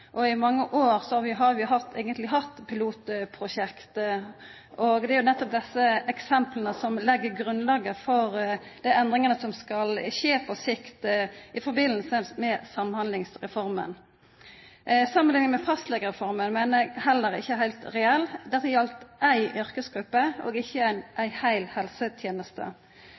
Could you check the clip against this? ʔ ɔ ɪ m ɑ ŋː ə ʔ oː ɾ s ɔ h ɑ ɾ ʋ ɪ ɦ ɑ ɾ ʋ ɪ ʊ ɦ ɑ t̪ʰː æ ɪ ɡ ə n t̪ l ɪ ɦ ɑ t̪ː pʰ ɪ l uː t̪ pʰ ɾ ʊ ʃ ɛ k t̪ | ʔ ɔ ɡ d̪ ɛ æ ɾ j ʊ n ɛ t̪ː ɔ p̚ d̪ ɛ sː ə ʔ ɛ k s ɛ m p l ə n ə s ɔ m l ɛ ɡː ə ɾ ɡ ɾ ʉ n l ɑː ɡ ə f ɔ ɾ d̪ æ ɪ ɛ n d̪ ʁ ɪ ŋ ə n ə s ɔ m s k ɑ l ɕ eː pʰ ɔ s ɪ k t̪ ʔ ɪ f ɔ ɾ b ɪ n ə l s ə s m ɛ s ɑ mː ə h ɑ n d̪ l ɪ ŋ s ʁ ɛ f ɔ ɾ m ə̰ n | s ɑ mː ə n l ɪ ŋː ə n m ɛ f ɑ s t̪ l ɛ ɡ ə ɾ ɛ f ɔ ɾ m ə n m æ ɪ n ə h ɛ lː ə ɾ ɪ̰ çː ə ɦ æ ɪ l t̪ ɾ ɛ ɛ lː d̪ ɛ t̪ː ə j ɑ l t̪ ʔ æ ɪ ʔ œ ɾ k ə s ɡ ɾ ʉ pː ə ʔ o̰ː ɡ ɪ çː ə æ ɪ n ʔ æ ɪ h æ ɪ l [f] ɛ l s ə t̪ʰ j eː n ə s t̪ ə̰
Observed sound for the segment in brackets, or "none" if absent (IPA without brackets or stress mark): h